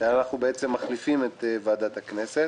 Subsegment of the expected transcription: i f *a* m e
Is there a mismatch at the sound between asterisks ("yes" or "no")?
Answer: yes